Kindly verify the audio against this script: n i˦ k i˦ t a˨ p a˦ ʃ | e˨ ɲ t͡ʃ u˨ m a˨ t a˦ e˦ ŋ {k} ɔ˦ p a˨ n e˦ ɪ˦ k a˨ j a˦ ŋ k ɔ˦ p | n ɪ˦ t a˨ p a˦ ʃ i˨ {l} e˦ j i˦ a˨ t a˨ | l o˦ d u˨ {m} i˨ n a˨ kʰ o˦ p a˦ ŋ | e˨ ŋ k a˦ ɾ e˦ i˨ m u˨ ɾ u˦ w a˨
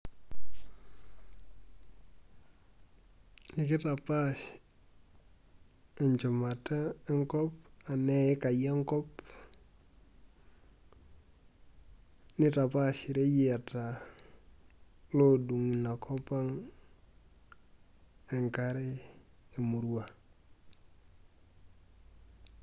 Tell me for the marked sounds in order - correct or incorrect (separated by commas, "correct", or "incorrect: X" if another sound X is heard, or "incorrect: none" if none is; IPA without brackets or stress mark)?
correct, incorrect: ɾ, incorrect: ŋ